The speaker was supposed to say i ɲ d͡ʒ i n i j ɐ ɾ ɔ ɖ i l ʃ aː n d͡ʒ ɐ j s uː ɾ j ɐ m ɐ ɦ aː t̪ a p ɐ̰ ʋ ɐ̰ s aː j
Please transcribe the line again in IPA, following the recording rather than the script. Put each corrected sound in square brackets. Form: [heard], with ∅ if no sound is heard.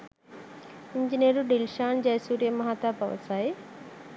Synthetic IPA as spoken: i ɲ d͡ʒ i n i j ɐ ɾ [u] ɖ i l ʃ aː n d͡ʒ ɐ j s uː ɾ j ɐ m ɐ ɦ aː t̪ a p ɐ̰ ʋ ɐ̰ s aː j